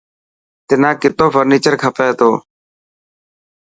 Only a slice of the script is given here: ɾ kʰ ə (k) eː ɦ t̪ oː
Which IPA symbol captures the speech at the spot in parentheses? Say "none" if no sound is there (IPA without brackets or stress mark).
p